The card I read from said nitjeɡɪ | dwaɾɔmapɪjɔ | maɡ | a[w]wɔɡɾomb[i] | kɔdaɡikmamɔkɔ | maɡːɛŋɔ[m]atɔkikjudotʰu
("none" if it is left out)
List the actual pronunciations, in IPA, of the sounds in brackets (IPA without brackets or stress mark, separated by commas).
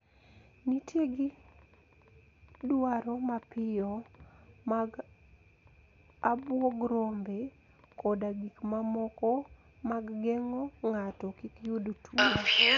b, e, ŋ